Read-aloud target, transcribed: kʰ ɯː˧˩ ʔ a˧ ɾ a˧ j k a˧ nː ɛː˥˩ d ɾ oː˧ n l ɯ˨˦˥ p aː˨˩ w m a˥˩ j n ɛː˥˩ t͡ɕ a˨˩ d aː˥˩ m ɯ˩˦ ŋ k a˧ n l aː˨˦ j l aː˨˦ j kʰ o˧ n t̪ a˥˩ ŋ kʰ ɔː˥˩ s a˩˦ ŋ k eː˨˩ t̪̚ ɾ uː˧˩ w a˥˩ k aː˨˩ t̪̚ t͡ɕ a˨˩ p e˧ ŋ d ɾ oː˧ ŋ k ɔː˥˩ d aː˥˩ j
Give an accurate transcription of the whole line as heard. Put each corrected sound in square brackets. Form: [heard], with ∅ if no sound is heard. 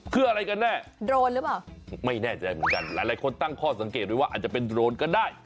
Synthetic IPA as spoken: kʰ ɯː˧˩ ʔ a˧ ɾ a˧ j k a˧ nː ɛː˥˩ d ɾ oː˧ n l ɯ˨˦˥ p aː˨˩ w m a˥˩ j n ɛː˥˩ t͡ɕ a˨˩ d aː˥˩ m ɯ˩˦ [n] k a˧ n l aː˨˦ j l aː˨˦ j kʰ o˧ n t̪ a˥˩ ŋ kʰ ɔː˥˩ s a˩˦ ŋ k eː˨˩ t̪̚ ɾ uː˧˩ w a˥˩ [ʔ] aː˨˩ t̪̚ t͡ɕ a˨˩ p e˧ [n] d ɾ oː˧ [n] k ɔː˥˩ d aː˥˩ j